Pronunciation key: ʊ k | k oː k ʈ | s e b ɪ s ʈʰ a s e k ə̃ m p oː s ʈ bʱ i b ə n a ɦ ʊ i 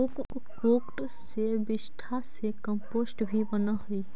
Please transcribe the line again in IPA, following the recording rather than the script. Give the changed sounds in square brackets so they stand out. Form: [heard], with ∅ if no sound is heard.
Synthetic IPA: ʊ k | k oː k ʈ | s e b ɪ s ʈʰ a s e k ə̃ m p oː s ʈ bʱ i b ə n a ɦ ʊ i